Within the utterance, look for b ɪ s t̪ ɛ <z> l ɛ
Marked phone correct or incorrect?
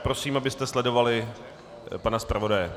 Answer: incorrect